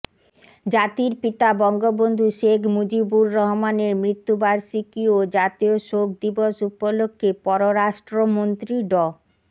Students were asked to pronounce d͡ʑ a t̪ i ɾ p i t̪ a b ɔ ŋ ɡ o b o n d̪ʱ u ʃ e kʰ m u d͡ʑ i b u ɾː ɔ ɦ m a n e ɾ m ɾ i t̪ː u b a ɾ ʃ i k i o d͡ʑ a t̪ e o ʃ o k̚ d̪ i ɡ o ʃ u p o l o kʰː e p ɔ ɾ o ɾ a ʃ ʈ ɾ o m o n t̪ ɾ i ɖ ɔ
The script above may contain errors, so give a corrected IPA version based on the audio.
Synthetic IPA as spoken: d͡ʑ a t̪ i ɾ p i t̪ a b ɔ ŋ ɡ o b o n d̪ʱ u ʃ e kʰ m u d͡ʑ i b u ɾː ɔ ɦ m a n e ɾ m ɾ i t̪ː u b a ɾ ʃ i k i o d͡ʑ a t̪ i o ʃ o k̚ d̪ i b o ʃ u p o l o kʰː e p ɔ ɾ o ɾ a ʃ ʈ ɾ o m o n t̪ ɾ i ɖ ɔ